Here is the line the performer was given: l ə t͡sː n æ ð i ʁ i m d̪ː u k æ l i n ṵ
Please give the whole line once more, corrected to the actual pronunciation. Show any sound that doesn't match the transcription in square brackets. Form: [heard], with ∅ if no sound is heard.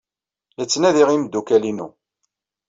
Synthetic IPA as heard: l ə t͡sː n æ ð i ʁ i m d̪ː u k æ l i n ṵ